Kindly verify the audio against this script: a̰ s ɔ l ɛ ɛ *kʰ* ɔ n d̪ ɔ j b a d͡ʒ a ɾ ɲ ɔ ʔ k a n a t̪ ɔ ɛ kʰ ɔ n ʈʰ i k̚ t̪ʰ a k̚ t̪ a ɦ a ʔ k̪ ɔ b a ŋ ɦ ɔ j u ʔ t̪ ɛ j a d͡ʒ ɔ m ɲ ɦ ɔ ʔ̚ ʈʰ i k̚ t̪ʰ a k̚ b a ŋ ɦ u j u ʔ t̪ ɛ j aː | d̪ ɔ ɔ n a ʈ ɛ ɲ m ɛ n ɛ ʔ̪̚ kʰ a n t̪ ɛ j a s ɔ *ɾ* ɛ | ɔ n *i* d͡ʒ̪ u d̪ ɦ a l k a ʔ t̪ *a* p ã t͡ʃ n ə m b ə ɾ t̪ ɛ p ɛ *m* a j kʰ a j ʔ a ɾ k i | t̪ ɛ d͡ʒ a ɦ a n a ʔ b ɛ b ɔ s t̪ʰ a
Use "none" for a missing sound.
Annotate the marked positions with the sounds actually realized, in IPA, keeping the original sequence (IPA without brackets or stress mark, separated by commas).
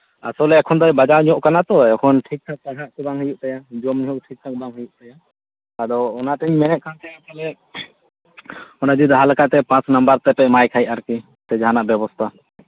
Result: kʰ, l, a, ɛ, m